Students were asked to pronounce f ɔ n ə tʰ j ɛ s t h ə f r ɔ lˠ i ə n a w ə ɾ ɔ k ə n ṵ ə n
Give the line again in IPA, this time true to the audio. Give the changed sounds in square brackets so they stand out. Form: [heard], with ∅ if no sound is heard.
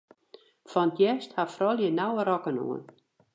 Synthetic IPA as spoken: f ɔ n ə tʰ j ɛ s t h [a] f r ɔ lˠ [j] ə n a w ə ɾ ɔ k ə n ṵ ə n